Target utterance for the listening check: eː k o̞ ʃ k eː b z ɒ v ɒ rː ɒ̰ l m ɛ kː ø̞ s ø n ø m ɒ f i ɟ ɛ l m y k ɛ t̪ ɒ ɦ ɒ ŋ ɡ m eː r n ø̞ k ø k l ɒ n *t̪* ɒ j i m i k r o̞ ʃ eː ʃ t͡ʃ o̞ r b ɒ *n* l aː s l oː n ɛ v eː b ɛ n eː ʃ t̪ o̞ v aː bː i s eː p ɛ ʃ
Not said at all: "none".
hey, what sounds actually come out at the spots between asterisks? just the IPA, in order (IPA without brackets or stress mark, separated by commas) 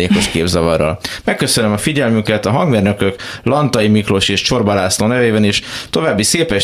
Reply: t̪, none